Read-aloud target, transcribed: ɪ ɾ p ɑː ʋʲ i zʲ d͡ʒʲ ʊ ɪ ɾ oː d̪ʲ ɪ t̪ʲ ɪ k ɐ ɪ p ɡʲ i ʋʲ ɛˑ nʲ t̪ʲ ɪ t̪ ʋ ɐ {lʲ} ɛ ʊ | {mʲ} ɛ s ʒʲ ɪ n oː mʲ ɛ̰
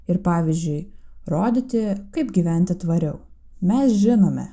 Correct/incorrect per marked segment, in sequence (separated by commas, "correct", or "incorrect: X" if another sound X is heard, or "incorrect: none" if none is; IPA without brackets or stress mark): incorrect: ɾʲ, correct